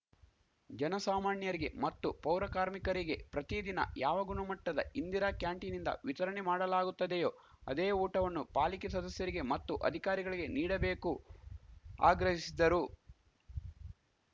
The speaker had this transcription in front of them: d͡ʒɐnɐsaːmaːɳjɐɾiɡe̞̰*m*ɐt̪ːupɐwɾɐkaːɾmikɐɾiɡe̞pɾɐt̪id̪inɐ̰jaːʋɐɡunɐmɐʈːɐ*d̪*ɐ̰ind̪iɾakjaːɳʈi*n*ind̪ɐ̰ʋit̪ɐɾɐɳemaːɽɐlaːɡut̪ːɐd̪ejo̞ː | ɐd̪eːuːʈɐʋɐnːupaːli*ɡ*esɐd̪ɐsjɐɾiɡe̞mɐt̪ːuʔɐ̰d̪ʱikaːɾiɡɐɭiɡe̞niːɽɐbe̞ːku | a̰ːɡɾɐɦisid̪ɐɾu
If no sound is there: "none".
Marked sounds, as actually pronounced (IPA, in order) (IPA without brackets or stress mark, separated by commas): m, d̪, n, k